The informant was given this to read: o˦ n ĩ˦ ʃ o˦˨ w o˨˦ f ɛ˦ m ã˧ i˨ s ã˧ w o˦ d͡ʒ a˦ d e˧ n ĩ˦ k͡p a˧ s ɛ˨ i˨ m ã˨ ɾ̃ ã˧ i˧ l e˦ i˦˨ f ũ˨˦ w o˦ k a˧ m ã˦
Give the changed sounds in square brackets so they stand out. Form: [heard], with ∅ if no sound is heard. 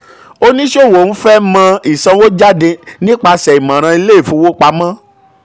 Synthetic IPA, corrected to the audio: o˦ n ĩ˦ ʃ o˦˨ w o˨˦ f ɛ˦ m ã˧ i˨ s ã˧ w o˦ d͡ʒ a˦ d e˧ n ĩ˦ k͡p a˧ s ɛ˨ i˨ m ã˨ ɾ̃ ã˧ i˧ l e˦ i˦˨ f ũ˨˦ w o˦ [k͡p] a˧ m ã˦